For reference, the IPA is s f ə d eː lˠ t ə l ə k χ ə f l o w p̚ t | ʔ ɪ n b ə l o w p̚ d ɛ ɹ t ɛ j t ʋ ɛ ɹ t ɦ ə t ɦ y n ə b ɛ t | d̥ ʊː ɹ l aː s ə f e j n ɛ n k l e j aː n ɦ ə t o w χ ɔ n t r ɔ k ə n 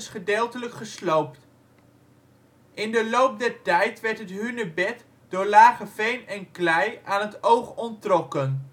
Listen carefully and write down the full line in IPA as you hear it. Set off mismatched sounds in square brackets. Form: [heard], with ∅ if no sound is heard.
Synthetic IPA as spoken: s [χ] ə d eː lˠ t ə l ə k χ ə [s] l o w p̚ t | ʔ ɪ n [d] ə l o w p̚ d ɛ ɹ t ɛ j t ʋ ɛ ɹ t ɦ ə t ɦ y n ə b ɛ t | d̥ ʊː ɹ l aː [χ] ə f e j n ɛ n k l [ɛ] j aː n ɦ ə t o w χ ɔ n t r ɔ k ə n